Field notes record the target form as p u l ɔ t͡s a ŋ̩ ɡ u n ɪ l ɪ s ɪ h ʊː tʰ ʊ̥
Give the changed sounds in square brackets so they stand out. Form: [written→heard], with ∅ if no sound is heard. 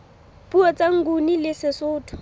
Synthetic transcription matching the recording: p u [l→∅] ɔ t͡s a ŋ̩ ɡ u n [ɪ→i] l ɪ s ɪ [h→s] ʊː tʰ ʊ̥